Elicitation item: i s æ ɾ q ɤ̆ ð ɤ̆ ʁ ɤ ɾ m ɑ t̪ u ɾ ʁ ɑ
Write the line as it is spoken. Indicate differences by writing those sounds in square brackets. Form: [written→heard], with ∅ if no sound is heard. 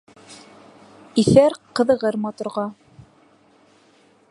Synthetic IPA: i [s→θ] æ ɾ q ɤ̆ ð ɤ̆ ʁ ɤ ɾ m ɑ t̪ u ɾ ʁ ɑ